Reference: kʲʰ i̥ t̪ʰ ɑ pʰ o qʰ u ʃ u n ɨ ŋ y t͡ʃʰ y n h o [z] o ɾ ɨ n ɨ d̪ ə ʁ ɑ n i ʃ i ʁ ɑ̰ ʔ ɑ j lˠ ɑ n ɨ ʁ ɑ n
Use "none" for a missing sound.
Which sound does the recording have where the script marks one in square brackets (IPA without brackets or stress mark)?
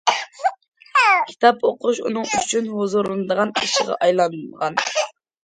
z